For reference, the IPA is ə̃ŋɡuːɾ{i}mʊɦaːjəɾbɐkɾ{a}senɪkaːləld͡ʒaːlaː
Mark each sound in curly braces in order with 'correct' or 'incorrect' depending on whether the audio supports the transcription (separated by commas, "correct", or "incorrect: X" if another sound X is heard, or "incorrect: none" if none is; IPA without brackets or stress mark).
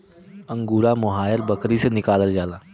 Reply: incorrect: a, incorrect: i